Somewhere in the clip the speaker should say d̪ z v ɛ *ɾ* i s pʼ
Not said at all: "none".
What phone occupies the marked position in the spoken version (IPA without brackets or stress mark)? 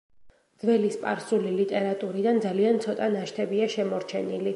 l